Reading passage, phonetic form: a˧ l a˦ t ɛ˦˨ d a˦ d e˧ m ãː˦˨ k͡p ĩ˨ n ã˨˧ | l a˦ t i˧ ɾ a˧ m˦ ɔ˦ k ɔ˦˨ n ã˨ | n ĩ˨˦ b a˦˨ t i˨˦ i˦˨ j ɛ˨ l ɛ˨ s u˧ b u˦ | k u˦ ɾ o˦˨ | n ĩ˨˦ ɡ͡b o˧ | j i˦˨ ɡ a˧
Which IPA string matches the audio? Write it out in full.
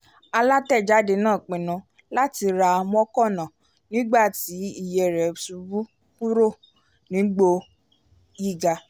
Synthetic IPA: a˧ l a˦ t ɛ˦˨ d͡ʒ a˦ d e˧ n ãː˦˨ k͡p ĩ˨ n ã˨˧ | l a˦ t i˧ ɾ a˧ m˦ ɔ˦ k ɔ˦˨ n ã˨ | n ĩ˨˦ ɡ͡b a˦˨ t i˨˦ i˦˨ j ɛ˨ ɾ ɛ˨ s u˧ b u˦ | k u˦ ɾ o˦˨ | n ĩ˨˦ ɡ͡b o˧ | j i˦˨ ɡ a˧